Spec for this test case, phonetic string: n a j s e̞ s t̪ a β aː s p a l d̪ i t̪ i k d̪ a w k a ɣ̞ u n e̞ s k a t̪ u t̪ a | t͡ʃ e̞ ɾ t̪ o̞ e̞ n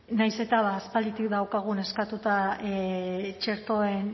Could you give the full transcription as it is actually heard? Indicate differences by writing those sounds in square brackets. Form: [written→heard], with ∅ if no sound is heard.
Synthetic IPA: n a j s e̞ [s→∅] t̪ a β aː s p a l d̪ i t̪ i k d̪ a w k a ɣ̞ u n e̞ s k a t̪ u t̪ a | t͡ʃ e̞ ɾ t̪ o̞ e̞ n